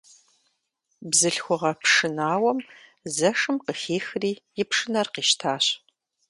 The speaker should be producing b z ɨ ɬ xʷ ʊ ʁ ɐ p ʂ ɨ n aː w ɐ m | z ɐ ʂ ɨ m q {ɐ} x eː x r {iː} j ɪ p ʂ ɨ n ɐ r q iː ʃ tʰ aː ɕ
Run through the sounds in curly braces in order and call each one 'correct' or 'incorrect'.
incorrect, correct

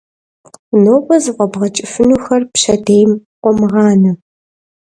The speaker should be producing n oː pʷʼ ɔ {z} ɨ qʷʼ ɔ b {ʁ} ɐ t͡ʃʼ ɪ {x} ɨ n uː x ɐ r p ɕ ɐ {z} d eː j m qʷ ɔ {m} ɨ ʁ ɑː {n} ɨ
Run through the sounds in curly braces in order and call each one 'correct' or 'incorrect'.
correct, correct, incorrect, incorrect, correct, correct

